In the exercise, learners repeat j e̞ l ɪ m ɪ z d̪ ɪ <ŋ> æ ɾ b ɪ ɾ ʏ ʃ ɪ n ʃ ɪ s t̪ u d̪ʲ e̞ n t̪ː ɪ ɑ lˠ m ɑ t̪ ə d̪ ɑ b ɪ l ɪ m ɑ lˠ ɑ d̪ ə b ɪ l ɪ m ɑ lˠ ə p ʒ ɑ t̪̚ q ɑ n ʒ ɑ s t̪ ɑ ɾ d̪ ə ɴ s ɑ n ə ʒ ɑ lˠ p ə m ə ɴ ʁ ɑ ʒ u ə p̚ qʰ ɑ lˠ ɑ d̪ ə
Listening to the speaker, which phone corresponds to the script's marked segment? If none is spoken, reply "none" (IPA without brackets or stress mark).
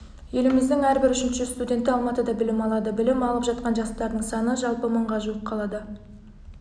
ŋ